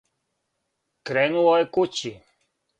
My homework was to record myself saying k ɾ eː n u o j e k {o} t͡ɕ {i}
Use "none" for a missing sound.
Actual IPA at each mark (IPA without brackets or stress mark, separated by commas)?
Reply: u, i